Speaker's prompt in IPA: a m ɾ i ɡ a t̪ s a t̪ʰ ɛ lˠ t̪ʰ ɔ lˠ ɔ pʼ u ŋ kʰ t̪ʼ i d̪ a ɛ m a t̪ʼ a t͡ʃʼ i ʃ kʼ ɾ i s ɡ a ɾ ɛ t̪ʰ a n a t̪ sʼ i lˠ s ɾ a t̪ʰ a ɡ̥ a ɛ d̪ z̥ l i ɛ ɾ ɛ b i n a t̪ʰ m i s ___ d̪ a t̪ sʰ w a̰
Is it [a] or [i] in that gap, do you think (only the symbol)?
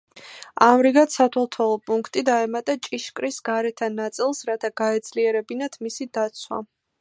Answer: i